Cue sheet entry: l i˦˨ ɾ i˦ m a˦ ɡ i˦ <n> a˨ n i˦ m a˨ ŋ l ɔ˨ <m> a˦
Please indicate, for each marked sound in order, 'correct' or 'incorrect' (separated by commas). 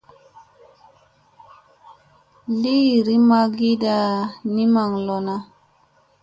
incorrect, incorrect